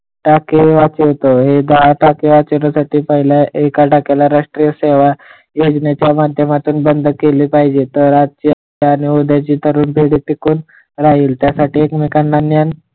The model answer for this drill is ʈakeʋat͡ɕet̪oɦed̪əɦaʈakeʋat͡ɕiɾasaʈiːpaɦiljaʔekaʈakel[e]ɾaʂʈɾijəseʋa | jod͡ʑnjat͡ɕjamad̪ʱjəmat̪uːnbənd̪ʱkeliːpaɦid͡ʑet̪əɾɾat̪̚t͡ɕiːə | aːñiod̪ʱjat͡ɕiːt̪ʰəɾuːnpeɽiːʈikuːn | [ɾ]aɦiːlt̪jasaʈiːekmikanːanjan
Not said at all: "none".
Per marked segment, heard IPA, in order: a, ɾ

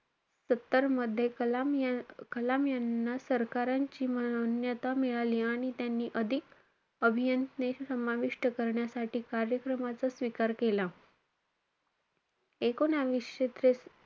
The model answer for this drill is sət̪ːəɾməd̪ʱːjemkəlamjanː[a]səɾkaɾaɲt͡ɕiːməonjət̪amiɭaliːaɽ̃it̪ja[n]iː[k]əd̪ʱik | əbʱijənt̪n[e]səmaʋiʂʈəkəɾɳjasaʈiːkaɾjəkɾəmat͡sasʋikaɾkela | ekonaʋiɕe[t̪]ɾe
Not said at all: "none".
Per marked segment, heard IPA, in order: a, nː, ʔ, e, t̪

